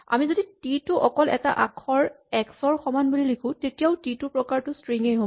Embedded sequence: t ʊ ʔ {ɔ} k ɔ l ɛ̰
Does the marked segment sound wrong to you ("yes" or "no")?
no